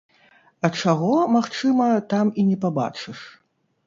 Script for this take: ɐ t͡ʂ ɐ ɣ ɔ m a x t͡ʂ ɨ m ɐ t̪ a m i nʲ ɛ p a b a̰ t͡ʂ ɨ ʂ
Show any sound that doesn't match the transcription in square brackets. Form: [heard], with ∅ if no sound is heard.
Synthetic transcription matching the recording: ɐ t͡ʂ [a] ɣ ɔ m a x t͡ʂ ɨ m ɐ t̪ a m i nʲ ɛ p a b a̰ t͡ʂ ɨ ʂ